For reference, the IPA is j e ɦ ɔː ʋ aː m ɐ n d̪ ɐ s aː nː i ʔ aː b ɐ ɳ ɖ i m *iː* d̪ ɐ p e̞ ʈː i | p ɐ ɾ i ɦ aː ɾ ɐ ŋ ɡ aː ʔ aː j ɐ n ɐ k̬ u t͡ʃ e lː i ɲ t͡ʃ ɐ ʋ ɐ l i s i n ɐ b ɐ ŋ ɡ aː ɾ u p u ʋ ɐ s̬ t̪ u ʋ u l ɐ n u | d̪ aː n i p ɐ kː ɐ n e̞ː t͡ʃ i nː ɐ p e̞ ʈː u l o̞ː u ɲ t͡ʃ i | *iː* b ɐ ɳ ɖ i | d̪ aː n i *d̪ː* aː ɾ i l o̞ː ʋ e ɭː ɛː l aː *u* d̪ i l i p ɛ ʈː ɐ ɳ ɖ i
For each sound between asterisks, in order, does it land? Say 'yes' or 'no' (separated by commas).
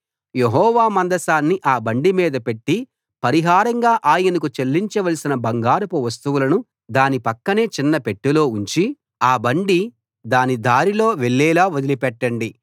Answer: yes, no, no, no